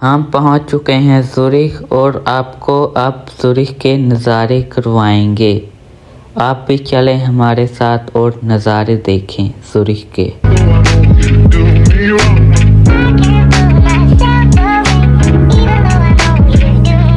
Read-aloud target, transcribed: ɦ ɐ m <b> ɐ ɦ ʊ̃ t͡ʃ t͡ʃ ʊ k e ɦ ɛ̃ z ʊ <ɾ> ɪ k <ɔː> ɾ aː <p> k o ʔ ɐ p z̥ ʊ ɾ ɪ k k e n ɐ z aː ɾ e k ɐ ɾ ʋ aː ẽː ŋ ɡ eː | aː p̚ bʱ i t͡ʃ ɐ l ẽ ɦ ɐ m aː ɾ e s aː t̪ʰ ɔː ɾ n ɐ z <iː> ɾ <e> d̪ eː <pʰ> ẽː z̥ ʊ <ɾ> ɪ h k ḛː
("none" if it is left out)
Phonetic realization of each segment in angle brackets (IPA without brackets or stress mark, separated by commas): p, ɾ, ɔː, p, aː, e, kʰ, ɾ